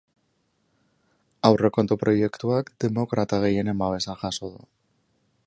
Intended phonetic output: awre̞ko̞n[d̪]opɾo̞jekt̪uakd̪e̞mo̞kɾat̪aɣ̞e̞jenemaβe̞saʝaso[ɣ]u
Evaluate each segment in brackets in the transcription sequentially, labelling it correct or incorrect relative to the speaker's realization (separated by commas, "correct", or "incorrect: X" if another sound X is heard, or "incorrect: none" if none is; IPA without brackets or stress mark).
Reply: incorrect: t̪, incorrect: ð